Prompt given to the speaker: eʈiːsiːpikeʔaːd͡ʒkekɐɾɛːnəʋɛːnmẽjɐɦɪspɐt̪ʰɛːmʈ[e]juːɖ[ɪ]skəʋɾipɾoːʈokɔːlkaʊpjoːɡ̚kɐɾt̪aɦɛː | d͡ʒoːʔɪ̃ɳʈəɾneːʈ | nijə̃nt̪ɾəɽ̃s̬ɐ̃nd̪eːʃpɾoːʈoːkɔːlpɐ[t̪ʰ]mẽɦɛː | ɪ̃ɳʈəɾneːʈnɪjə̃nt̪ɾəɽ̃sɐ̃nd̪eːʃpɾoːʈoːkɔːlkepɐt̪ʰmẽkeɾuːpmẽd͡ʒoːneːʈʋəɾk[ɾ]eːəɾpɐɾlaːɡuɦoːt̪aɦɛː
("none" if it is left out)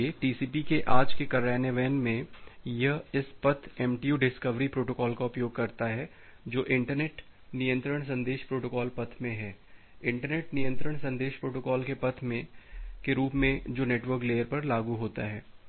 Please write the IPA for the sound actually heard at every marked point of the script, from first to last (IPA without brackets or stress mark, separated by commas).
i, ɪ, t̪ʰ, l